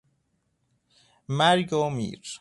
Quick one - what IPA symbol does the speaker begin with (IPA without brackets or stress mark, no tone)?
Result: m